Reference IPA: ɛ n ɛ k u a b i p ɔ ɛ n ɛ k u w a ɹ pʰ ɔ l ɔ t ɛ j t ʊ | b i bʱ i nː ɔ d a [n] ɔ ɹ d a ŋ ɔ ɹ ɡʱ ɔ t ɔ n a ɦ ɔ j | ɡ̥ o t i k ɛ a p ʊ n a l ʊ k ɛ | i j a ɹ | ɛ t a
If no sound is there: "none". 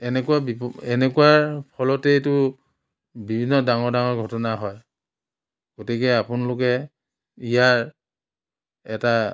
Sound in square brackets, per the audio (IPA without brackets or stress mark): ŋ